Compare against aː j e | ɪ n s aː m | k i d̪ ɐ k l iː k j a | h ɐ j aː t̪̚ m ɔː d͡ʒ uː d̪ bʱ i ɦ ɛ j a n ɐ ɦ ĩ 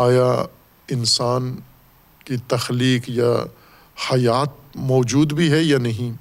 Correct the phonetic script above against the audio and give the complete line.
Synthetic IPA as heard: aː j a | ɪ n s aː n | k i t̪ ɐ x l iː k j a | h ɐ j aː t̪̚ m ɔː d͡ʒ uː d̪ bʱ i ɦ ɛ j a n ɐ ɦ ĩ